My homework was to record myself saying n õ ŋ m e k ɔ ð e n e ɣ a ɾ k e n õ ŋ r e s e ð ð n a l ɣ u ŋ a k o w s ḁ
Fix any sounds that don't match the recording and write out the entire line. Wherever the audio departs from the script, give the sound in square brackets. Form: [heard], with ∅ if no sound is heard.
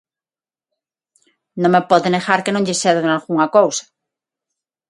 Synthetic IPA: n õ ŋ m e [p] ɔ ð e n e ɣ a ɾ k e n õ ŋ [ʎ] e s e ð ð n a l ɣ u ŋ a k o w s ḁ